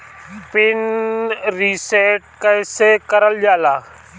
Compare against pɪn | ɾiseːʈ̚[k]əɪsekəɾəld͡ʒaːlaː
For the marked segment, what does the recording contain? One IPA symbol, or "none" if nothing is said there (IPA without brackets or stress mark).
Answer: k